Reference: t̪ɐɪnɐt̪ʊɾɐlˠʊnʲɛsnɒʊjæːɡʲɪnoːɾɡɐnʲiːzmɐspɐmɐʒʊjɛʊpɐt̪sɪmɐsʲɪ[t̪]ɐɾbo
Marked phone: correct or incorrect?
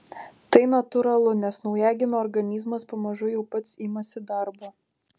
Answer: incorrect